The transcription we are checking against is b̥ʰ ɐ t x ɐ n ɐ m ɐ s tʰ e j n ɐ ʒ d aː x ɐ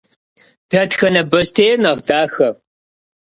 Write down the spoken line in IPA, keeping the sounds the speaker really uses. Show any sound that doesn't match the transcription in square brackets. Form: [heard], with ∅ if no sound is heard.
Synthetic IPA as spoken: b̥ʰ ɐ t x ɐ n ɐ [b] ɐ s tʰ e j n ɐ [ʁ] d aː x ɐ

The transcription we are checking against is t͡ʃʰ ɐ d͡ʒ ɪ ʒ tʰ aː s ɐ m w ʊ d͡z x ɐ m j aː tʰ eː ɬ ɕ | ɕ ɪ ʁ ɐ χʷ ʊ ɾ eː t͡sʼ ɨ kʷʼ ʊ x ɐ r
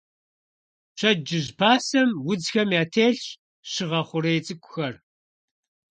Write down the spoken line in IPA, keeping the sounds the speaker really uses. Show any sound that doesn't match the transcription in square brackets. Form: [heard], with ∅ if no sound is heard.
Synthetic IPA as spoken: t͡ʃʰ ɐ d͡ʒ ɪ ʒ [pʰ] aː s ɐ m w ʊ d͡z x ɐ m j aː tʰ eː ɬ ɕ | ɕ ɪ ʁ ɐ χʷ ʊ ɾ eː t͡sʼ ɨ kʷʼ ʊ x ɐ r

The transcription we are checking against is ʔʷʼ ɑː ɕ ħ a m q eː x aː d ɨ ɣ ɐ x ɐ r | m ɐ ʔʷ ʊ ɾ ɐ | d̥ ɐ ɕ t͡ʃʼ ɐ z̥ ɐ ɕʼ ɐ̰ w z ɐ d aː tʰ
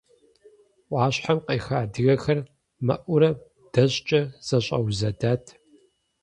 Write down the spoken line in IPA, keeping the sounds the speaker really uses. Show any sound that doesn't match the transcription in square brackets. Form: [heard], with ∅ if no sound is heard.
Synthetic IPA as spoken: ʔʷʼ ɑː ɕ ħ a m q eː x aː d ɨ ɣ ɐ x ɐ r | m ɐ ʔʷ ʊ ɾ ɐ | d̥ ɐ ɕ t͡ʃʼ ɐ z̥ ɐ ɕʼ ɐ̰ w z ɐ d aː tʰ

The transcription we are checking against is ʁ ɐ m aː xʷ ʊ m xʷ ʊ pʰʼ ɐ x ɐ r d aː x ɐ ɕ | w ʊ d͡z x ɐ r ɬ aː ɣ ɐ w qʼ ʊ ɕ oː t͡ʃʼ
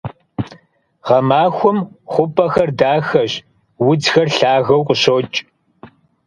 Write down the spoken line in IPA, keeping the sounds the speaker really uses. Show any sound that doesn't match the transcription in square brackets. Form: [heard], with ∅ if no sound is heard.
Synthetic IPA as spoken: ʁ ɐ m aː xʷ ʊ m [χʷ] ʊ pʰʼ ɐ x ɐ r d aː x ɐ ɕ | w ʊ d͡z x ɐ r ɬ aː ɣ ɐ w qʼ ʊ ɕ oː t͡ʃʼ

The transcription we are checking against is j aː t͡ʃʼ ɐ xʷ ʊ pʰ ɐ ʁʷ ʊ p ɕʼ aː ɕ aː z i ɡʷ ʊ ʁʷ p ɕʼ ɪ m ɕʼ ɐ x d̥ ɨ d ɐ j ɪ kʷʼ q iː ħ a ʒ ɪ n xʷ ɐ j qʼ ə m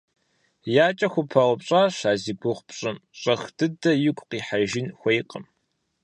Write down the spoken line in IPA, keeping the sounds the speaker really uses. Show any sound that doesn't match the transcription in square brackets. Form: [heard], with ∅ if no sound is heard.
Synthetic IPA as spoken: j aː t͡ʃʼ ɐ xʷ ʊ pʰ ɐ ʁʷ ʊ p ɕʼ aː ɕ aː z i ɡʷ ʊ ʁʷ p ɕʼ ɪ m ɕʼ ɐ x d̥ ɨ d ɐ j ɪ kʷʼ q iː ħ a ʒ ɪ n xʷ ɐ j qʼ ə m

